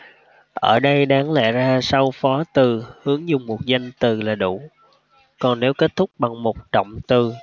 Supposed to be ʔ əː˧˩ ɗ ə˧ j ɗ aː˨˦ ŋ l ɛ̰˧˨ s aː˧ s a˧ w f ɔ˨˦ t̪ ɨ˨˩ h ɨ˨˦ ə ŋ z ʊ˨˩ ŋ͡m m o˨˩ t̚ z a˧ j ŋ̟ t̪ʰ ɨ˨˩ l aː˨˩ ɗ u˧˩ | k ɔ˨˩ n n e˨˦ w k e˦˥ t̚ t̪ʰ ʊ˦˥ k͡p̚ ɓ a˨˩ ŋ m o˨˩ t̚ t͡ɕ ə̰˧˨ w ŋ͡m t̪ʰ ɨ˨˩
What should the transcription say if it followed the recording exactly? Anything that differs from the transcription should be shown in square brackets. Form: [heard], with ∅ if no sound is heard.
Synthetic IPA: ʔ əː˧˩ ɗ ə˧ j ɗ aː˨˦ ŋ l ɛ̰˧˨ [z] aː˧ s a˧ w f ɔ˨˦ t̪ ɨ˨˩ h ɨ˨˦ ə ŋ z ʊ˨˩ ŋ͡m m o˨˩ t̚ z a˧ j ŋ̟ [t̪] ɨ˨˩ l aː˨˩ ɗ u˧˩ | k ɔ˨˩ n n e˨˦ w k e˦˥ t̚ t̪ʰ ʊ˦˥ k͡p̚ ɓ a˨˩ ŋ m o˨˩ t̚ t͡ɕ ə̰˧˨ w ŋ͡m [t̪] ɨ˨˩

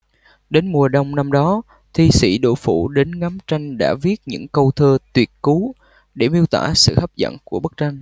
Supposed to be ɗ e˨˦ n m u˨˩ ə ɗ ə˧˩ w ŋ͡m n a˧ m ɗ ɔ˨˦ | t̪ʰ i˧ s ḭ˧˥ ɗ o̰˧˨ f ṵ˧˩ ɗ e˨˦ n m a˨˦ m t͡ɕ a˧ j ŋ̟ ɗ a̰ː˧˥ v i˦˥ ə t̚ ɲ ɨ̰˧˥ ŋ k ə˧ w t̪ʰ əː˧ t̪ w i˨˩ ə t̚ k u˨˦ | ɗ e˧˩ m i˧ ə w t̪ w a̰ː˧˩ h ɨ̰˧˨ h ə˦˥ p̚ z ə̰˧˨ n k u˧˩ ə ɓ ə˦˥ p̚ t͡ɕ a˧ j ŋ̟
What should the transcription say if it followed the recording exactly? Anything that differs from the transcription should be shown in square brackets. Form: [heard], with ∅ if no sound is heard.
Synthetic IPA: ɗ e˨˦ n m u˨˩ ə ɗ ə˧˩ w ŋ͡m n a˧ m ɗ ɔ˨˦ | t̪ʰ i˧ s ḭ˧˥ ɗ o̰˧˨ f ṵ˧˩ ɗ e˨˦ n [ŋ] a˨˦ m t͡ɕ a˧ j ŋ̟ ɗ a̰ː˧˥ v i˦˥ ə t̚ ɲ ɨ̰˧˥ ŋ k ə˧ w t̪ʰ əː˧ t̪ w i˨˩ ə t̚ k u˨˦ | ɗ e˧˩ m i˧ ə w t̪ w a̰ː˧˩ [s] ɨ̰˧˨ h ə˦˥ p̚ z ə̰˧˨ n k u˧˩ ə ɓ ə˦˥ [k̚] t͡ɕ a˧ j ŋ̟

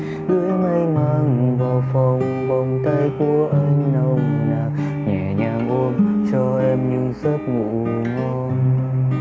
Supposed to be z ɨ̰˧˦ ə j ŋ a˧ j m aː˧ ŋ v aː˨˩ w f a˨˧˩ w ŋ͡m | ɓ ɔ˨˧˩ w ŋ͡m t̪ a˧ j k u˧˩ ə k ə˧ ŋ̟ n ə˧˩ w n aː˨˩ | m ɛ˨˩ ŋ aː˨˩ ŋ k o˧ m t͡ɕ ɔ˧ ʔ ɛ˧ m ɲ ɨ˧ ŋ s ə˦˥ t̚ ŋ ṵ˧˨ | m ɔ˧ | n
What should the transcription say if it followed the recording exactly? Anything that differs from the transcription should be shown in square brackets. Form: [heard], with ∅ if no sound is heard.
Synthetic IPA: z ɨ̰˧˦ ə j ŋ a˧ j m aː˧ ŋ v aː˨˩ w f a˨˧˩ w ŋ͡m | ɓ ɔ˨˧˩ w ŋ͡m t̪ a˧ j k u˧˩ ə [ʔ] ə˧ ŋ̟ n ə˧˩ w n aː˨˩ | [ɲ] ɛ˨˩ [ɲ] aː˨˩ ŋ [ʔ] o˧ m t͡ɕ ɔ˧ ʔ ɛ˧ m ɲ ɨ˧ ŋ s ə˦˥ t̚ ŋ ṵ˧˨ | [ŋ] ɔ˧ | n

